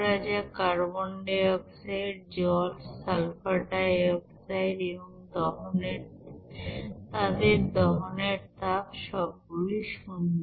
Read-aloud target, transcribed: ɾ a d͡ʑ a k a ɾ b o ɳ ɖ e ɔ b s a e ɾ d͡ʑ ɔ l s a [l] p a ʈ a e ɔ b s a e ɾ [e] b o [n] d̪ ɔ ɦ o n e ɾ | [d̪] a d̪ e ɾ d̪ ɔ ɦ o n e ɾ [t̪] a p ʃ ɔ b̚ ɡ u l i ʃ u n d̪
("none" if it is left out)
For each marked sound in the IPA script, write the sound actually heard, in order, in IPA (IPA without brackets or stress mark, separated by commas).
l, e, ŋ, t̪, t̪